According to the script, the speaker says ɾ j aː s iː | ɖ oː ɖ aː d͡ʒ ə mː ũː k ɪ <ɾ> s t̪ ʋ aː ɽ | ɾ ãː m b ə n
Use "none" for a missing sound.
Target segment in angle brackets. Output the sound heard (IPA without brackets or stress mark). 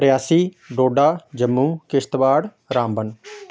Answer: none